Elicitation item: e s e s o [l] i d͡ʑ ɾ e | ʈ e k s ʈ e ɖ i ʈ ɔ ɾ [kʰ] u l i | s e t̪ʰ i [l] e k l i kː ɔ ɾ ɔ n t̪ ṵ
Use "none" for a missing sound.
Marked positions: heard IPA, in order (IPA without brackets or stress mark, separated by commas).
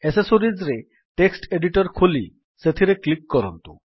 ɾ, kʰ, ɾ